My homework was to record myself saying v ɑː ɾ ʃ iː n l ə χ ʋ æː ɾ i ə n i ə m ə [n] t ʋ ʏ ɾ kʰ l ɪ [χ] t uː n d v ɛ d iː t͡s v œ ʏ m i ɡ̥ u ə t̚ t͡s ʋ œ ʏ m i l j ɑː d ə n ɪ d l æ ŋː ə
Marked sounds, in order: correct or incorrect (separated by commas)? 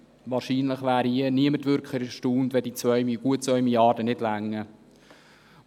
incorrect, incorrect